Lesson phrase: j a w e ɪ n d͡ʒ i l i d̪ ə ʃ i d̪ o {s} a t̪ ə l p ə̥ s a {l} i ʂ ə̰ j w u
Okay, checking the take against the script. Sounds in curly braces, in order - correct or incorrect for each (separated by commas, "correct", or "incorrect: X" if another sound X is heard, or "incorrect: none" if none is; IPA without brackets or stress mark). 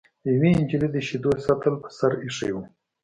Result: correct, incorrect: ɾ